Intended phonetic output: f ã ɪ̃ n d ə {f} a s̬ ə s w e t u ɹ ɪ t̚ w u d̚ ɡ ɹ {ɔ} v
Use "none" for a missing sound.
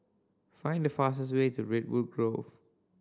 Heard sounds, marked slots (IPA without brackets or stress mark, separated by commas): f, o